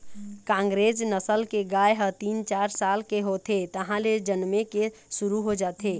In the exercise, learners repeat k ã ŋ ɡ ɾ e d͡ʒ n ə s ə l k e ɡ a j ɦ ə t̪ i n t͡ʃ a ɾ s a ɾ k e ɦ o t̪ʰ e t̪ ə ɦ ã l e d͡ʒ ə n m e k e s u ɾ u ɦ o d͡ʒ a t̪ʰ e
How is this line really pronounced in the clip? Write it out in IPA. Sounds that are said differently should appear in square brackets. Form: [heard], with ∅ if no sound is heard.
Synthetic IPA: k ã ŋ ɡ ɾ e d͡ʒ n ə s ə l k e ɡ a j ɦ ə t̪ i n t͡ʃ a ɾ s a [l] k e ɦ o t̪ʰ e t̪ ə ɦ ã l e d͡ʒ ə n m e k e s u ɾ u ɦ o d͡ʒ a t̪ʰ e